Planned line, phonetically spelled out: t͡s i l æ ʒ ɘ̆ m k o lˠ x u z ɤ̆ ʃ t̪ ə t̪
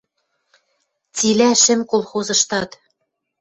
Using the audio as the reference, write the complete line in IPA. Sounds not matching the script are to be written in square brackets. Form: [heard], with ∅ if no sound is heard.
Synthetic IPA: t͡s i l æ [ʃ] ɘ̆ m k o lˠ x [o] z ɤ̆ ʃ t̪ [ɑ] t̪